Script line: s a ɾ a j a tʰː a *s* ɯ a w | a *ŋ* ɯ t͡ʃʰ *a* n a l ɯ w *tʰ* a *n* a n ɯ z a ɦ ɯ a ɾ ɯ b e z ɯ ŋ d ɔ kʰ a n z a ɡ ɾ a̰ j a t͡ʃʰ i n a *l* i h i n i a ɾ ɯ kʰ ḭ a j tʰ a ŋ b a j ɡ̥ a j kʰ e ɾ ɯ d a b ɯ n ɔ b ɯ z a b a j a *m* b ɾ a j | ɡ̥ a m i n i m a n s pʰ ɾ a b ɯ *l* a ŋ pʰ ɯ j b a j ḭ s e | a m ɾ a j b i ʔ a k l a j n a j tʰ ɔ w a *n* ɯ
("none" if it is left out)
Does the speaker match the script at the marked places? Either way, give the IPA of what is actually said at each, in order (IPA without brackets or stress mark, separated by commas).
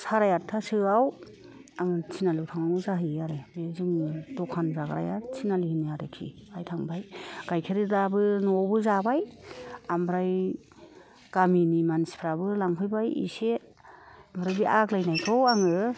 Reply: s, ŋ, i, tʰ, ŋ, l, m, l, ŋ